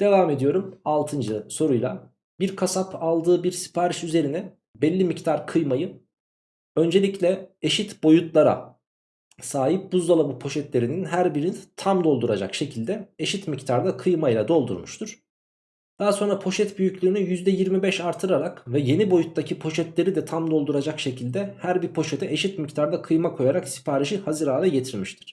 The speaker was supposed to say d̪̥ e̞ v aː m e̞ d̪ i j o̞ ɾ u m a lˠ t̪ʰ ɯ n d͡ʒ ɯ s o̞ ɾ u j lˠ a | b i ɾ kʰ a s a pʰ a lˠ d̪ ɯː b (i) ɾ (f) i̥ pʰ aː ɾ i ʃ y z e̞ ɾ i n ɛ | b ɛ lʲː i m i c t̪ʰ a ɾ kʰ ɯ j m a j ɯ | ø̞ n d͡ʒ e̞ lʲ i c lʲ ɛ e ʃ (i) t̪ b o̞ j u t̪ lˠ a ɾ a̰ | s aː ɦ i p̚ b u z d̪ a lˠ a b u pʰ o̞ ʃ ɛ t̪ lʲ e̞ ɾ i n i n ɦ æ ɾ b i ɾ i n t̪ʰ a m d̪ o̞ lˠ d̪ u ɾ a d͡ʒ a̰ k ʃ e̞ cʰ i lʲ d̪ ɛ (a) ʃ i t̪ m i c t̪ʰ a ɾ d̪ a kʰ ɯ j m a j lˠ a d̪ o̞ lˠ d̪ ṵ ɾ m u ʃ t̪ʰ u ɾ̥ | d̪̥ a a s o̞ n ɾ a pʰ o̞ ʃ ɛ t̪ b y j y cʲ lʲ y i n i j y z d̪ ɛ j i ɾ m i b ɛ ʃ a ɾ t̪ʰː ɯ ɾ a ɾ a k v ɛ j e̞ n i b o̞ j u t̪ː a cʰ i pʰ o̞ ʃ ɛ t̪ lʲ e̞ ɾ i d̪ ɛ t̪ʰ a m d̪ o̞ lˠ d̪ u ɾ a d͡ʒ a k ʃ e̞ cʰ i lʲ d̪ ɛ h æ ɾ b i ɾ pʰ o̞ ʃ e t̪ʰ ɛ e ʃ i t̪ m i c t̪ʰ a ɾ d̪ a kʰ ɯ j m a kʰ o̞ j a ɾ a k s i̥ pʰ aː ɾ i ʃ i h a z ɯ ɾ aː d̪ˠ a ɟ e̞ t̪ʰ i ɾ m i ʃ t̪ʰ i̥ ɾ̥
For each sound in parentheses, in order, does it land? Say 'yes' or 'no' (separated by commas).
yes, no, yes, no